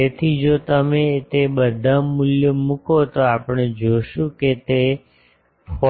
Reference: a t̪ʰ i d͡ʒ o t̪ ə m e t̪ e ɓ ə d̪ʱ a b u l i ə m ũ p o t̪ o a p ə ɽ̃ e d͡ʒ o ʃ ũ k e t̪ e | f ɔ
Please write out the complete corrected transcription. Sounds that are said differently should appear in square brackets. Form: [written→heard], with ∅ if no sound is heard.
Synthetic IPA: [a→e] t̪ʰ i d͡ʒ o t̪ ə m e t̪ e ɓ ə d̪ʱ a [b→m] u l [i→j] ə m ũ [p→k] o t̪ o a p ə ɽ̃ e d͡ʒ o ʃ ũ k e t̪ e | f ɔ